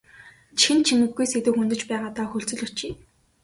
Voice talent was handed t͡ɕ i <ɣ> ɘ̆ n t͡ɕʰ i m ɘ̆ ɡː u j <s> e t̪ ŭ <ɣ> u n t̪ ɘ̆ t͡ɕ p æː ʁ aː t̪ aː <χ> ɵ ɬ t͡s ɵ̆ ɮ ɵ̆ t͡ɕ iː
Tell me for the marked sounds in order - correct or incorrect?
incorrect, correct, incorrect, incorrect

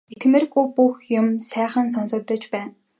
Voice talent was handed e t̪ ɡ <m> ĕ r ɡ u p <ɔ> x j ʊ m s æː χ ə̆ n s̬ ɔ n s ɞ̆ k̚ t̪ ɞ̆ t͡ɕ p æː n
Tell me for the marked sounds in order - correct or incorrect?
correct, incorrect

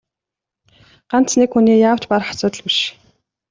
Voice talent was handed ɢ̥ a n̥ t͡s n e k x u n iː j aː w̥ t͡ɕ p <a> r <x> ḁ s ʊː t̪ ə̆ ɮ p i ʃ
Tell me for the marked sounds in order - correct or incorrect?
correct, incorrect

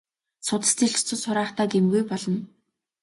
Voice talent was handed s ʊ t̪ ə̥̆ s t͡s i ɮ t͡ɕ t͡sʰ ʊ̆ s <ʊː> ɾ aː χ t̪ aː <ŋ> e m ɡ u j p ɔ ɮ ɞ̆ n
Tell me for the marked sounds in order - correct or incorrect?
incorrect, incorrect

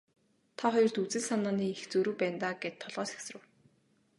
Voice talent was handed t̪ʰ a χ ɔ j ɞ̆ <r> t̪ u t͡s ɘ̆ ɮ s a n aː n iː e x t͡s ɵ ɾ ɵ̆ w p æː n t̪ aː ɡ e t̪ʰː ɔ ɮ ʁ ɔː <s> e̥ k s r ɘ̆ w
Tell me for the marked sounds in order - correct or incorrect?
correct, correct

